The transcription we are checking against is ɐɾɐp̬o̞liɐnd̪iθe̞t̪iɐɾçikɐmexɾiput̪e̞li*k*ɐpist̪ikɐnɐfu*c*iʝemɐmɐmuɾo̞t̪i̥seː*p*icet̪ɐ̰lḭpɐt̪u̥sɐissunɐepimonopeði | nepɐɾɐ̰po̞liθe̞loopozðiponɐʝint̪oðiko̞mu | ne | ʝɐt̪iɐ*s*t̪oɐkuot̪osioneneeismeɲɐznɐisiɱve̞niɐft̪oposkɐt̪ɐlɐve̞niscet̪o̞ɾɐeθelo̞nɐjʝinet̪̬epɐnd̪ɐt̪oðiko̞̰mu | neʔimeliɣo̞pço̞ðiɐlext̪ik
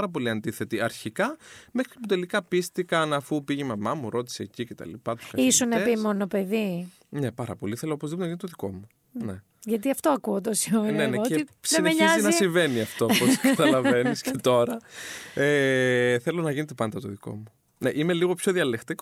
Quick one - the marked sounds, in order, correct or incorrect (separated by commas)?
correct, incorrect, incorrect, incorrect